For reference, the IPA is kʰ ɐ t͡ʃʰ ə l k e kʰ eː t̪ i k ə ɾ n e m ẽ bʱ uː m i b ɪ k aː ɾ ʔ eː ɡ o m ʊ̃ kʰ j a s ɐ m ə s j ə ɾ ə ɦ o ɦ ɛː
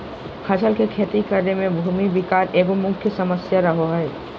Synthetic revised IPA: kʰ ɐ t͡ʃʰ ə l k e kʰ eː t̪ i k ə ɾ n e m ẽ bʱ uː m i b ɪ k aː ɾ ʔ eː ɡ o m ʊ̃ kʰ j ə s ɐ m ə s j a ɾ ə ɦ o ɦ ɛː